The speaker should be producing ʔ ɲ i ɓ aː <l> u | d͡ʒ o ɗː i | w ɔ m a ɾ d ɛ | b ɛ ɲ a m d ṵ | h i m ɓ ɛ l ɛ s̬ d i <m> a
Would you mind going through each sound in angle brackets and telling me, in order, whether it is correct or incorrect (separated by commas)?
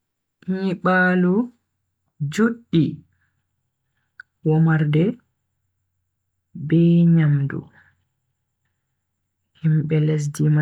correct, correct